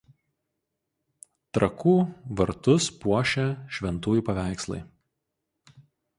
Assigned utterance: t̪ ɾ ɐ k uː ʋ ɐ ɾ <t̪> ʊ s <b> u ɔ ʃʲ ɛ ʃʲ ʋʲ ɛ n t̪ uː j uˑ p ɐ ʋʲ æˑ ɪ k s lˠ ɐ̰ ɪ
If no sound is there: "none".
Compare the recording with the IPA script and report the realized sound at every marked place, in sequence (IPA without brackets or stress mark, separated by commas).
t̪, p